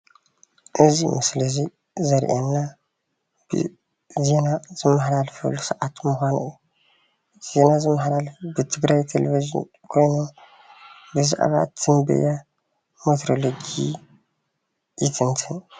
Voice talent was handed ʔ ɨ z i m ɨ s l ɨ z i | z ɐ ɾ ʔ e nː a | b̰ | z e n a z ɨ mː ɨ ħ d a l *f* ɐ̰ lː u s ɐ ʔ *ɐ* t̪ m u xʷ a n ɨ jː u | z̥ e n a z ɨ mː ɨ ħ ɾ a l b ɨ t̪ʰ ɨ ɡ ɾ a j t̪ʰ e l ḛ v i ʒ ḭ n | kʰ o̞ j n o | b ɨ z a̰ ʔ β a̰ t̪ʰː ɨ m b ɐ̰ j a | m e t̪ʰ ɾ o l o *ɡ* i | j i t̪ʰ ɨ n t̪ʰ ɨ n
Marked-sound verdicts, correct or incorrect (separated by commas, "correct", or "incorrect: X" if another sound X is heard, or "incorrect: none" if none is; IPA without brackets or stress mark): correct, incorrect: a, correct